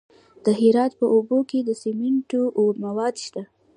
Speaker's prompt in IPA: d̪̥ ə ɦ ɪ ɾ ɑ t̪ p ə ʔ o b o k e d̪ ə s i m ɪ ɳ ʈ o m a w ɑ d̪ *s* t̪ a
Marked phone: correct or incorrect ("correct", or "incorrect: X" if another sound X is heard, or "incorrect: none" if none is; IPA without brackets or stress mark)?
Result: incorrect: ʃ